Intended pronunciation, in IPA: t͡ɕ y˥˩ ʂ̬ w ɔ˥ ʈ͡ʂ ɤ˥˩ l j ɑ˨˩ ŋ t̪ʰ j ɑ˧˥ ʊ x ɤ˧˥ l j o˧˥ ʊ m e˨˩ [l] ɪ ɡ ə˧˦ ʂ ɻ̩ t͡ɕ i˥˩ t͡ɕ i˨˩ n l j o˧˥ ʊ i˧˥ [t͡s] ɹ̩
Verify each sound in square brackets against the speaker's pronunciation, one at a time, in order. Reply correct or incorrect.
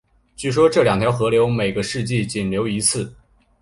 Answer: incorrect, incorrect

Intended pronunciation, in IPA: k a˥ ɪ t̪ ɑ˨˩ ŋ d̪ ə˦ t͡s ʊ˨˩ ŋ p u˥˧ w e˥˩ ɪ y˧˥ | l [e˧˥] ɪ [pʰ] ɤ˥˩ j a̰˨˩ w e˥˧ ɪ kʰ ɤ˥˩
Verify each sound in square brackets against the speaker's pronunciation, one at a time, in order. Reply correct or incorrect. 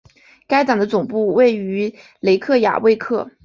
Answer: correct, incorrect

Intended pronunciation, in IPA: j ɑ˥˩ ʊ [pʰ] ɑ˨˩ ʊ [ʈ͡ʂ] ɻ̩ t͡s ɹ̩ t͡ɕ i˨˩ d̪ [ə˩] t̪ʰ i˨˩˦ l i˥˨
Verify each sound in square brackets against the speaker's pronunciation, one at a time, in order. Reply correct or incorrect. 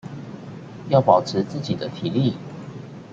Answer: incorrect, incorrect, incorrect

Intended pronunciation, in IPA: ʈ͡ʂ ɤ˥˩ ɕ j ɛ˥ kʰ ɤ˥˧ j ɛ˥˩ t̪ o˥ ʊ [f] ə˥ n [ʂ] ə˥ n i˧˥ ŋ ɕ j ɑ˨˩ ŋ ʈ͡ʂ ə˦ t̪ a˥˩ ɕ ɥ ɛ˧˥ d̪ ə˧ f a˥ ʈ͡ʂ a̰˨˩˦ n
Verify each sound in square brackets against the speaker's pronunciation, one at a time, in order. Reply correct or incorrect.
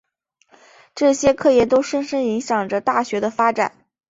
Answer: incorrect, correct

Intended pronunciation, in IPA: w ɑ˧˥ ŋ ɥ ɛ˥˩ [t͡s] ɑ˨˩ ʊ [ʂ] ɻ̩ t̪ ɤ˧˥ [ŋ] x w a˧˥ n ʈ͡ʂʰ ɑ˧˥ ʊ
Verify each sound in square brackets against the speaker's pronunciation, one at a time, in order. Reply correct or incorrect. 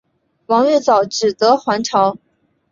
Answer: correct, incorrect, incorrect

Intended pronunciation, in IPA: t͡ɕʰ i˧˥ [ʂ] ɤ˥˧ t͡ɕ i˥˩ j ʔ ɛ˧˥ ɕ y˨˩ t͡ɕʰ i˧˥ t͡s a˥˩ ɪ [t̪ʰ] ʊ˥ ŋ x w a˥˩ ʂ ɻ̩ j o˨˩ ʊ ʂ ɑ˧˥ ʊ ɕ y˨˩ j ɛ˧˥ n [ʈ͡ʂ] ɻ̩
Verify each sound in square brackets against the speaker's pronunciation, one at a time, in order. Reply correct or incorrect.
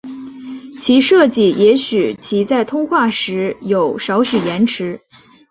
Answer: correct, correct, incorrect

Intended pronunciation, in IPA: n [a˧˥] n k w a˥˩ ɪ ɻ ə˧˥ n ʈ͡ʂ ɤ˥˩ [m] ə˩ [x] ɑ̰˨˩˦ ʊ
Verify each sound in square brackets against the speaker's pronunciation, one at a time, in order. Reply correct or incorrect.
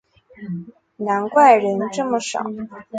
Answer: correct, correct, incorrect

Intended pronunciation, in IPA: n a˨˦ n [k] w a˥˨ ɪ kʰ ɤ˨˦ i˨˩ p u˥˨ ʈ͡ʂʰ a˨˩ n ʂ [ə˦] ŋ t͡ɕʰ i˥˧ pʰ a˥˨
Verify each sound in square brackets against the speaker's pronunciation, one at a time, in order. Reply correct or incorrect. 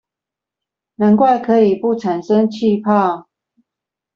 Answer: correct, correct

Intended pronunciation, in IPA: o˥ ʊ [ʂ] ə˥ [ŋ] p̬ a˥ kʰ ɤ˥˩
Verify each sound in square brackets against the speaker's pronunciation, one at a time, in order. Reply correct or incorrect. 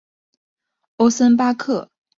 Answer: incorrect, incorrect

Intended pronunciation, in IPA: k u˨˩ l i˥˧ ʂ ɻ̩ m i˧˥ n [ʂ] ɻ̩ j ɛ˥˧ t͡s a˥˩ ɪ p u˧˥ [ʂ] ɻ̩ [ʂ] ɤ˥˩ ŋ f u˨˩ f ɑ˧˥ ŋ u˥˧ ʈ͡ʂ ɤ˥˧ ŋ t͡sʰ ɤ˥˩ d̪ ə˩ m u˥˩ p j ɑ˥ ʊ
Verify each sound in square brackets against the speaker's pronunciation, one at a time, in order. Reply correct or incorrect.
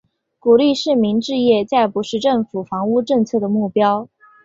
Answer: incorrect, correct, incorrect

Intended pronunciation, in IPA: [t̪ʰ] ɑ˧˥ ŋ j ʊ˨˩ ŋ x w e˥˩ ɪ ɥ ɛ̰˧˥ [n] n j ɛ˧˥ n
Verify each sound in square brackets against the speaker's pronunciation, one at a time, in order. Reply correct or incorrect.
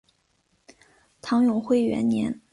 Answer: correct, correct

